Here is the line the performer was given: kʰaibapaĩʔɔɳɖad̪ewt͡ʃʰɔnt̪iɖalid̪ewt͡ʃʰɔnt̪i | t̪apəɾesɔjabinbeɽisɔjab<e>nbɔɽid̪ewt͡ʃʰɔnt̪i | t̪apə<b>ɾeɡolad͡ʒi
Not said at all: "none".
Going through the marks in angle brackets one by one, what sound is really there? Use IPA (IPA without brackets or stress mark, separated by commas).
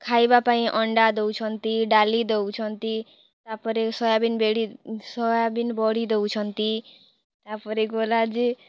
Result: i, none